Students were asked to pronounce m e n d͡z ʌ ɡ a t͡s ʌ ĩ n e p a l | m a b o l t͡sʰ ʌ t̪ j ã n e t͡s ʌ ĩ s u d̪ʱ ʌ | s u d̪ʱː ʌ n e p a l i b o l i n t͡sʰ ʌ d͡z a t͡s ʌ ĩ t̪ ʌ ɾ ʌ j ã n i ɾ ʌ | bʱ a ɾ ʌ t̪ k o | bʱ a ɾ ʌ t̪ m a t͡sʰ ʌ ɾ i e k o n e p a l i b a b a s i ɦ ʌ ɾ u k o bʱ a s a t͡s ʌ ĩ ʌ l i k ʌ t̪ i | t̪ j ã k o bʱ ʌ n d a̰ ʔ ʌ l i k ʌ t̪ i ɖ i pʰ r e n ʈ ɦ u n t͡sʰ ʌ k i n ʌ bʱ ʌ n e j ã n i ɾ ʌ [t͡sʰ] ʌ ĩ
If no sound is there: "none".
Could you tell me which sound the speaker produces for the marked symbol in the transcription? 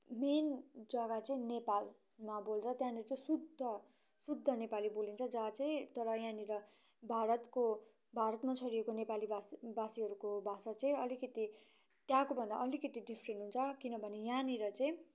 t͡s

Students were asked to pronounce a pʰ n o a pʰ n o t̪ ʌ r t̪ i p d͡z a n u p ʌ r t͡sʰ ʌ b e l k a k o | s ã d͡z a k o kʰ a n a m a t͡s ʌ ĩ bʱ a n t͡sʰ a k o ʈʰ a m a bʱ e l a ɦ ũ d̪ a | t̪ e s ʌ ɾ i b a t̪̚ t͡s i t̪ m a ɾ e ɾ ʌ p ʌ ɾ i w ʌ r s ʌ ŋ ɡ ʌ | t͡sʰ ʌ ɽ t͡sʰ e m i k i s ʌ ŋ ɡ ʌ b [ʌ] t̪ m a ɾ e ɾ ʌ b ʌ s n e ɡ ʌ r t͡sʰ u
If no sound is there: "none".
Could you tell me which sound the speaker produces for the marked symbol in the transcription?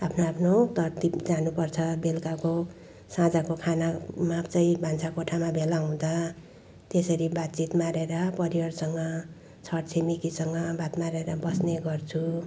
a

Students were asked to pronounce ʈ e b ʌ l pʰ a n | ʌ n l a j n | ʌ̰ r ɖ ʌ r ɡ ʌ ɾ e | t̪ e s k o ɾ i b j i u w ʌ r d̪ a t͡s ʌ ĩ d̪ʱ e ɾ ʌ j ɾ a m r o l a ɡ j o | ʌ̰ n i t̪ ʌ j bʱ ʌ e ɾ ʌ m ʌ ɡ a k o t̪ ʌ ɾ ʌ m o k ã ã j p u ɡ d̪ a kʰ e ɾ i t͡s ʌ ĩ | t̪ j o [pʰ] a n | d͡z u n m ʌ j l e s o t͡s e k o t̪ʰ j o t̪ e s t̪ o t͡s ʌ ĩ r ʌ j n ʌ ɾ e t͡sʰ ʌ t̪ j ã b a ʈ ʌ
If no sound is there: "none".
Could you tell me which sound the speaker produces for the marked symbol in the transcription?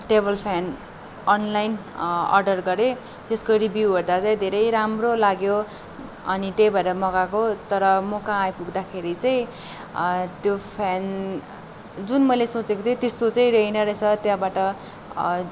pʰ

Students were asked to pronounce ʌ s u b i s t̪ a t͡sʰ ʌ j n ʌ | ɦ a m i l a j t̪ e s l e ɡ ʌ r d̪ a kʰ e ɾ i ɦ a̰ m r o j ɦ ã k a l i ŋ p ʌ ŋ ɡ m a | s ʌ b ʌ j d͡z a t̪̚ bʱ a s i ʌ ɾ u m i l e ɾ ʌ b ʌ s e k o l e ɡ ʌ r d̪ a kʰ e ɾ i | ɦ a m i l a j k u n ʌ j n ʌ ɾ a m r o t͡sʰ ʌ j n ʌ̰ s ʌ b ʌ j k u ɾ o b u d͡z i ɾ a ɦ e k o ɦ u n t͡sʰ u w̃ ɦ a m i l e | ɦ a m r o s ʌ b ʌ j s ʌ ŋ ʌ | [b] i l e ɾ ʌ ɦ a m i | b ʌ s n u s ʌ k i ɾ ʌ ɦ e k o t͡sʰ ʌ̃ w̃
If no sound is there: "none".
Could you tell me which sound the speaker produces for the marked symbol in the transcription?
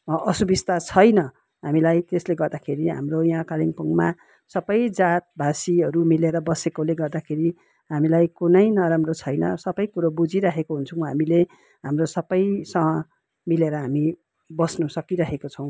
m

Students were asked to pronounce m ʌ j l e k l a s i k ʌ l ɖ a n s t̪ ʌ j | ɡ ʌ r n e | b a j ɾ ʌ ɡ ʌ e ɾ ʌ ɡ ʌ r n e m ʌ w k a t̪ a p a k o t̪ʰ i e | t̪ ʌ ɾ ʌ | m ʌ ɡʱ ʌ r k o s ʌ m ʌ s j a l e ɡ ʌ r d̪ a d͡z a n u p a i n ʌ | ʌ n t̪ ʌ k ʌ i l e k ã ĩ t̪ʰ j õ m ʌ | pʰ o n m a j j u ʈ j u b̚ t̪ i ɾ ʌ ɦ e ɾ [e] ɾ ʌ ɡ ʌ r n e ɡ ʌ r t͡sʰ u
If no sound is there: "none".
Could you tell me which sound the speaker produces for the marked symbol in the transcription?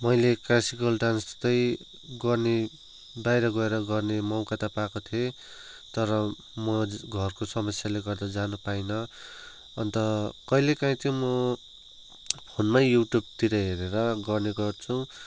e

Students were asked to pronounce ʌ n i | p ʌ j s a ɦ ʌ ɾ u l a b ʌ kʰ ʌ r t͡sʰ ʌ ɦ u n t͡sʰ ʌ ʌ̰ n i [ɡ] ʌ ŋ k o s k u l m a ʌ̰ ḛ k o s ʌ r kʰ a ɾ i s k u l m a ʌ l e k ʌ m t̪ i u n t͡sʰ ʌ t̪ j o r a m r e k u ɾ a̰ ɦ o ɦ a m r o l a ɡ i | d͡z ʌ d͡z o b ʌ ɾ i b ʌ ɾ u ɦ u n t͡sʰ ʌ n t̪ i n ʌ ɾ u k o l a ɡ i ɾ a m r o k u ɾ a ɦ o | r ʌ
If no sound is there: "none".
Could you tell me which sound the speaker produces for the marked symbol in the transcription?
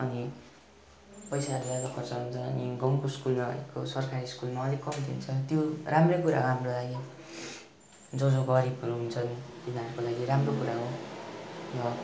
ɡ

